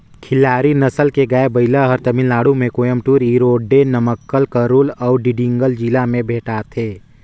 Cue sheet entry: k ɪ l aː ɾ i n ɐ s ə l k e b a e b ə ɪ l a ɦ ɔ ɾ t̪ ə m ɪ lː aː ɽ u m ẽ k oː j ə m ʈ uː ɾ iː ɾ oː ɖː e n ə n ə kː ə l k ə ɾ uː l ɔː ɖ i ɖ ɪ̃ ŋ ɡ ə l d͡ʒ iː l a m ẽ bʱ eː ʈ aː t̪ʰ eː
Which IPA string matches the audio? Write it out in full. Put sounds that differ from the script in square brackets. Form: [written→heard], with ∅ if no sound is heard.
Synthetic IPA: [k→kʰ] ɪ l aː ɾ i n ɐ s ə l k e [b→ɡ] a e b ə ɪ l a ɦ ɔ ɾ t̪ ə m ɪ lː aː ɽ u m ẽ k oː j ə m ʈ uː ɾ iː ɾ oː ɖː e n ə [n→m] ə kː ə l k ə ɾ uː l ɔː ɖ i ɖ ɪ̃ ŋ ɡ ə l d͡ʒ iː l a m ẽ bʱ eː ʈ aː t̪ʰ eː